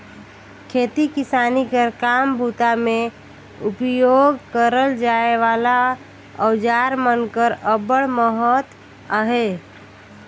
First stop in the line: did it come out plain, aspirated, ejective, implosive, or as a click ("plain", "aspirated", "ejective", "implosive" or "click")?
aspirated